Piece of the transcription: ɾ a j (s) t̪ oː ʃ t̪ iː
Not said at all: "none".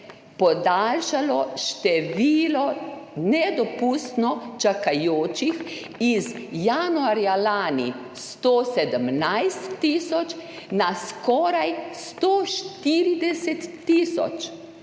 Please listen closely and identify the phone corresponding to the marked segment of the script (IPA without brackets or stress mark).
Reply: s